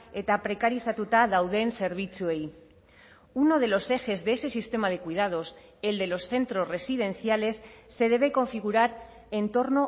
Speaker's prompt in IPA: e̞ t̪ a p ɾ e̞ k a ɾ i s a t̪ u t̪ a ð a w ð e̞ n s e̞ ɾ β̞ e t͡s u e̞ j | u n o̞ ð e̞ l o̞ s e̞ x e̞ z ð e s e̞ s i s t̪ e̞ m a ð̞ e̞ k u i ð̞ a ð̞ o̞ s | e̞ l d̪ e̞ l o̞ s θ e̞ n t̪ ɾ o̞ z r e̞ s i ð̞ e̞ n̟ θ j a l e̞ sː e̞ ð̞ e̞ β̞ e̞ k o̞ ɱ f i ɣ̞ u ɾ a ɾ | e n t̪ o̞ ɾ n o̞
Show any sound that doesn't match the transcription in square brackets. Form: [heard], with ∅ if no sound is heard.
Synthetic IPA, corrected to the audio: e̞ t̪ a p ɾ e̞ k a ɾ i s a t̪ u t̪ a ð a w ð e̞ n s e̞ ɾ β̞ [i] t͡s u e̞ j | u n o̞ ð e̞ l o̞ s e̞ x e̞ z ð e s e̞ s i s t̪ e̞ m a ð̞ e̞ k u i ð̞ a ð̞ o̞ s | e̞ l d̪ e̞ l o̞ s θ e̞ n t̪ ɾ o̞ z r e̞ s i ð̞ e̞ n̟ θ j a l e̞ sː e̞ ð̞ e̞ β̞ e̞ k o̞ ɱ f i ɣ̞ u ɾ a ɾ | e n t̪ o̞ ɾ n o̞

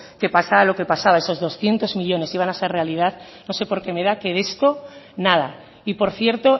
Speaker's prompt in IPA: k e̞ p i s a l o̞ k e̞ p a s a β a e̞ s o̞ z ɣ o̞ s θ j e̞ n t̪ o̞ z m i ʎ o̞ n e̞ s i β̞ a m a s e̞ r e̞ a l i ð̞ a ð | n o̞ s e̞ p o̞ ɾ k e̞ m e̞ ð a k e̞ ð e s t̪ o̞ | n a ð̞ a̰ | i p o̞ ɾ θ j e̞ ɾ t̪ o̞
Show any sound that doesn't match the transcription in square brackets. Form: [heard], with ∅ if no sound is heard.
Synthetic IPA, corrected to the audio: k e̞ p [a] s a l o̞ k e̞ p a s a β a e̞ s o̞ z [ð] o̞ s θ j e̞ n t̪ o̞ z m i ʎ o̞ n e̞ s i β̞ a [n] a s e̞ r e̞ a l i ð̞ a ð | n o̞ s e̞ p o̞ ɾ k e̞ m e̞ ð a k e̞ ð e s t̪ o̞ | n a ð̞ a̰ | i p o̞ ɾ θ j e̞ ɾ t̪ o̞

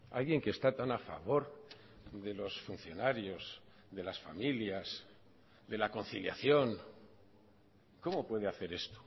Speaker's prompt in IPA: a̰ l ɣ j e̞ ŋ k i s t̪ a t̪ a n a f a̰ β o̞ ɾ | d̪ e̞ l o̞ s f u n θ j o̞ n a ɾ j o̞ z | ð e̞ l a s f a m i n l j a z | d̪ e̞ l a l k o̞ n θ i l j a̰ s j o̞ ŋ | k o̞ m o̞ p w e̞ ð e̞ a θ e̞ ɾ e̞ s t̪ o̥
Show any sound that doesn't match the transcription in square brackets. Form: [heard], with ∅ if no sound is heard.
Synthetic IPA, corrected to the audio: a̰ l ɣ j e̞ ŋ k [e] s t̪ a t̪ a n a f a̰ β o̞ ɾ | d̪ e̞ l o̞ s f u n θ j o̞ n a ɾ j o̞ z | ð e̞ l a s f a m i [∅] l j a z | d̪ e̞ l a [∅] k o̞ n θ i l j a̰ [θ] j o̞ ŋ | k o̞ m o̞ p w e̞ ð e̞ a θ e̞ ɾ e̞ s t̪ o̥

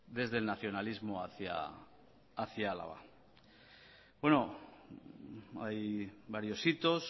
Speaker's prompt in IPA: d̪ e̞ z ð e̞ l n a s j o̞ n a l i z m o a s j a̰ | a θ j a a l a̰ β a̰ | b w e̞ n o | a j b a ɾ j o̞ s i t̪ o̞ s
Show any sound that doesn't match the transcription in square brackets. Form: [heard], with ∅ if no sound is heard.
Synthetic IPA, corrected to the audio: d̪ e̞ z ð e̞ l n a [θ] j o̞ n a l i z m o a [θ] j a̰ | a θ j a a l a̰ β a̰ | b w e̞ n o | a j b a ɾ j o̞ s i t̪ o̞ s

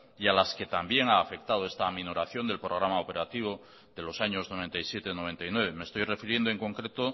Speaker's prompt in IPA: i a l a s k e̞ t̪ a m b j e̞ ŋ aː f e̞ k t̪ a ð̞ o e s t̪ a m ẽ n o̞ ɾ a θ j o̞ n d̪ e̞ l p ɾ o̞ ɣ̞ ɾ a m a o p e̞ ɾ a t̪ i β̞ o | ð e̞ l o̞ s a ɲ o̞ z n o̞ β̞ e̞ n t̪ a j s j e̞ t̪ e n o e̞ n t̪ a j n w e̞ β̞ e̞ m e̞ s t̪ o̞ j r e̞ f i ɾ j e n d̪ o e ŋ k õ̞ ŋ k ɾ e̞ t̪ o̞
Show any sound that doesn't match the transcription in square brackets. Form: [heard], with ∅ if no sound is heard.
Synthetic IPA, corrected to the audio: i a l a s k e̞ t̪ a m b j e̞ ŋ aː f e̞ k t̪ a ð̞ o e s t̪ a m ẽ n o̞ ɾ a θ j o̞ n d̪ e̞ l p ɾ o̞ ɣ̞ ɾ a m a o p e̞ ɾ a t̪ i β̞ o | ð e̞ l o̞ s a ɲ o̞ z n o̞ β̞ e̞ n t̪ a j s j e̞ t̪ e n o e̞ n t̪ a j n w e̞ β̞ e̞ m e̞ s t̪ o̞ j r e̞ f i ɾ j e n d̪ o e ŋ k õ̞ ŋ k ɾ e̞ t̪ o̞

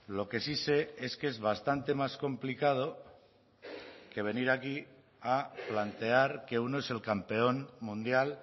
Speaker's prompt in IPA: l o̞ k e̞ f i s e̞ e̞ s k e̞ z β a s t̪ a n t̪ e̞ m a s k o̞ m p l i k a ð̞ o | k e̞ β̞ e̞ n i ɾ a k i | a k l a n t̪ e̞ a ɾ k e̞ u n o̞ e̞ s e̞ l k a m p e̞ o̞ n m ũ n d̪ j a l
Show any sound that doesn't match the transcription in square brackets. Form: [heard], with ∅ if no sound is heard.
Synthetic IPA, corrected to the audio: l o̞ k e̞ [s] i s e̞ e̞ s k e̞ z β a s t̪ a n t̪ e̞ m a s k o̞ m p l i k a ð̞ o | k e̞ β̞ e̞ n i ɾ a k i | a [p] l a n t̪ e̞ a ɾ k e̞ u n o̞ e̞ s e̞ l k a m p e̞ o̞ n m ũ n d̪ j a l

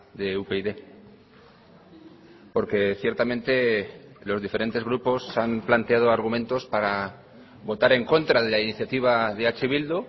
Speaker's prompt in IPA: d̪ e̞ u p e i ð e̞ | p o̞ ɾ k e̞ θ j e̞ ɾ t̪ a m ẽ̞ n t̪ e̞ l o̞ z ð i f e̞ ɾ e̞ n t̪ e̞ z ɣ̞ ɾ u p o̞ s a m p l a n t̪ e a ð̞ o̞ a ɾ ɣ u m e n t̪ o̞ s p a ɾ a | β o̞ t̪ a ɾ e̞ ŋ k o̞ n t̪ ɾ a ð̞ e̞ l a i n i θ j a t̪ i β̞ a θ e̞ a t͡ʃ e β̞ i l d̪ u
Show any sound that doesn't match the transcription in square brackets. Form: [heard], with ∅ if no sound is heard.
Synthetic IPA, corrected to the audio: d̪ e̞ u p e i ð e̞ | p o̞ ɾ k e̞ θ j e̞ ɾ t̪ a m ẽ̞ n t̪ e̞ l o̞ z ð i f e̞ ɾ e̞ n t̪ e̞ z ɣ̞ ɾ u p o̞ s a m p l a n t̪ e a ð̞ o̞ a ɾ ɣ u m e n t̪ o̞ s p a ɾ a | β o̞ t̪ a ɾ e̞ ŋ k o̞ n t̪ ɾ a ð̞ e̞ l a i n i θ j a t̪ i β̞ a [ð] e̞ a t͡ʃ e β̞ i l d̪ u

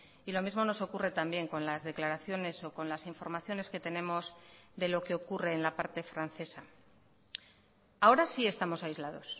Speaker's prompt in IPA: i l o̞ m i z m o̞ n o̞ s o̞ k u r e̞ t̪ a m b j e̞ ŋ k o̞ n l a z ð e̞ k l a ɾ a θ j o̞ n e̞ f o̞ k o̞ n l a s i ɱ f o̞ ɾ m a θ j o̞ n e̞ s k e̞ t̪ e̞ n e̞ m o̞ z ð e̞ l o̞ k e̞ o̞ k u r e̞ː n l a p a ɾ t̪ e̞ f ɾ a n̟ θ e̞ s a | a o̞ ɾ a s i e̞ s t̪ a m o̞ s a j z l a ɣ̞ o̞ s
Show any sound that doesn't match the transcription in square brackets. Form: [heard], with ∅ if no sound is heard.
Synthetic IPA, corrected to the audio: i l o̞ m i z m o̞ n o̞ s o̞ k u r e̞ t̪ a m b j e̞ ŋ k o̞ n l a z ð e̞ k l a ɾ a θ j o̞ n e̞ [s] o̞ k o̞ n l a s i ɱ f o̞ ɾ m a θ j o̞ n e̞ s k e̞ t̪ e̞ n e̞ m o̞ z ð e̞ l o̞ k e̞ o̞ k u r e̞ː n l a p a ɾ t̪ e̞ f ɾ a n̟ θ e̞ s a | a o̞ ɾ a s i e̞ s t̪ a m o̞ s a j z l a [ð̞] o̞ s

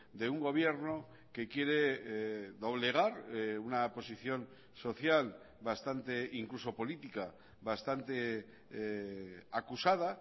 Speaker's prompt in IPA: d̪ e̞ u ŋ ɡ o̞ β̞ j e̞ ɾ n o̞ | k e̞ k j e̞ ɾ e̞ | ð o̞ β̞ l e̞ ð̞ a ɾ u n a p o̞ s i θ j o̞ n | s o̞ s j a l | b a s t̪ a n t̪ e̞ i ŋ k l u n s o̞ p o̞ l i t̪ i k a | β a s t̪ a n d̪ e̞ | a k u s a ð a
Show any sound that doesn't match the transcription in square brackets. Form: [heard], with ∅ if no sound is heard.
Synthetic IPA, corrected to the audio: d̪ e̞ u ŋ ɡ o̞ β̞ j e̞ ɾ n o̞ | k e̞ k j e̞ ɾ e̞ | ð o̞ β̞ l e̞ [ɣ̞] a ɾ u n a p o̞ s i θ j o̞ n | s o̞ [θ] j a l | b a s t̪ a n t̪ e̞ i ŋ k l u [∅] s o̞ p o̞ l i t̪ i k a | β a s t̪ a n [t̪] e̞ | a k u s a ð a

